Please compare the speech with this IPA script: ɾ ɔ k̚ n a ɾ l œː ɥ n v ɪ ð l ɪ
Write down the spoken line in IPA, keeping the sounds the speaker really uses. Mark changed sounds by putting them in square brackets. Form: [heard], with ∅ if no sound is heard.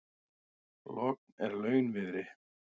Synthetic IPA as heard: [l] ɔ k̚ n [ɛ] ɾ l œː ɥ n v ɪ ð [ɾ] ɪ